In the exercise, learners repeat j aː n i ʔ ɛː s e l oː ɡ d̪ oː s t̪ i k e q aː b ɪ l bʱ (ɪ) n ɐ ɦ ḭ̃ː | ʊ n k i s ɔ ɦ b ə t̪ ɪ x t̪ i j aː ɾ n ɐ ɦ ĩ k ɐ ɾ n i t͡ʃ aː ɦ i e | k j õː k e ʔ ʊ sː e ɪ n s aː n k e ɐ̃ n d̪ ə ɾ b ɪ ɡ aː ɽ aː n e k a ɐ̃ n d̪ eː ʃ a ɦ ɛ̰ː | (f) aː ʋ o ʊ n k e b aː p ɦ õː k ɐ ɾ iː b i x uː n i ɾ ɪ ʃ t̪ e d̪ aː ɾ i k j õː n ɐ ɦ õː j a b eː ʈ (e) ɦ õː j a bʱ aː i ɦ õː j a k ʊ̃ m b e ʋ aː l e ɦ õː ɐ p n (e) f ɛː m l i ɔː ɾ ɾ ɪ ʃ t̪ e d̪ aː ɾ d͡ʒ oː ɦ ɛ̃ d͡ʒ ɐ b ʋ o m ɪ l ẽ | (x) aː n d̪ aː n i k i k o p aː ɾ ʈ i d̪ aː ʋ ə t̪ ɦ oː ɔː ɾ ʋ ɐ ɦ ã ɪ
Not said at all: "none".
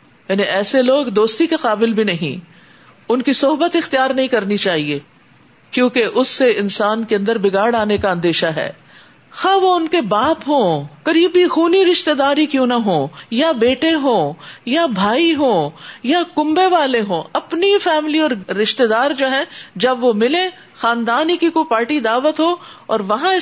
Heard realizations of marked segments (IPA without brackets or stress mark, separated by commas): i, x, e, i, x